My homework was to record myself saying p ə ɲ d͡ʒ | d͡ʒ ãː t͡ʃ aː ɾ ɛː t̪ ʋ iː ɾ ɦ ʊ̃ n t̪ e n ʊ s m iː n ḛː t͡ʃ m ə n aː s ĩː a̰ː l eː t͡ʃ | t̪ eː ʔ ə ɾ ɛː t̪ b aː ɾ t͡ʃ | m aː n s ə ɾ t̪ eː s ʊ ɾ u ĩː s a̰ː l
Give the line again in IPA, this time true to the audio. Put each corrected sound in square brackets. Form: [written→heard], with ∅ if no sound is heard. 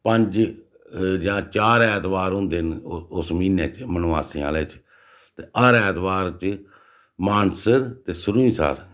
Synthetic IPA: p ə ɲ d͡ʒ | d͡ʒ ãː t͡ʃ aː ɾ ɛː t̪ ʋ [iː→aː] ɾ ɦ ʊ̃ n [t̪→d̪] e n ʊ s m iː n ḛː t͡ʃ m ə n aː s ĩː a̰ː l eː t͡ʃ | t̪ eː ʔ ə ɾ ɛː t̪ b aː ɾ t͡ʃ | m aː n s ə ɾ t̪ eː s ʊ ɾ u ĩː s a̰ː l